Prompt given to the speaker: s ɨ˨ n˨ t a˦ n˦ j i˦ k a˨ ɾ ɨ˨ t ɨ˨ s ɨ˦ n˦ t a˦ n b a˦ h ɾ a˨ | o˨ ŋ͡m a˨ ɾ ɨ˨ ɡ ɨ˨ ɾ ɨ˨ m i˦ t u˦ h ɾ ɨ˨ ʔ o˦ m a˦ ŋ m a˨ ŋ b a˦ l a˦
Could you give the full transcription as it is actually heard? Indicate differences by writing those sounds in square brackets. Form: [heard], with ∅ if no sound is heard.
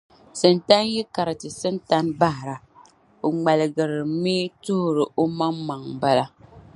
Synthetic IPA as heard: s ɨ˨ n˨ t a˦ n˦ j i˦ k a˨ ɾ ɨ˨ t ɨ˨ s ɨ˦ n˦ t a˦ n b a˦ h ɾ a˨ | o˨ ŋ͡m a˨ [l] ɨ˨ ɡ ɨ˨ ɾ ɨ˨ m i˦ t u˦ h ɾ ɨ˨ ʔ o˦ m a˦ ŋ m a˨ ŋ b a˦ l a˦